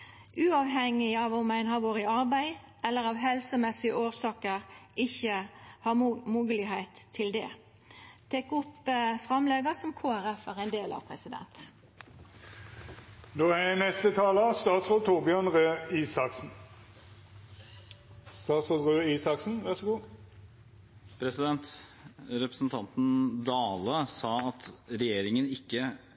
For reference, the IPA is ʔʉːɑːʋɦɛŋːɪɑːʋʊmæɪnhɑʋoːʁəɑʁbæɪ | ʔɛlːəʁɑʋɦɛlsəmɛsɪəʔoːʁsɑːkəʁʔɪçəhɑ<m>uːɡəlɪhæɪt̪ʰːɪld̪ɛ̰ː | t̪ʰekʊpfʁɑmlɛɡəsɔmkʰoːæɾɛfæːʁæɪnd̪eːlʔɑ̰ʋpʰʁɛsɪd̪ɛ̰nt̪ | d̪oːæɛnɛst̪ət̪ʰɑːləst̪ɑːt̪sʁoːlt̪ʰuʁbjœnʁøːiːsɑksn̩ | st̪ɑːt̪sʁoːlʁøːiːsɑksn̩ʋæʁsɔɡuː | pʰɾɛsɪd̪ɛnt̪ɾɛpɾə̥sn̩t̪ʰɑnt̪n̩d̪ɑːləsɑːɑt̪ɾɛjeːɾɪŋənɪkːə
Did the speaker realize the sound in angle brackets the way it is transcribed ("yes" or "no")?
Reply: yes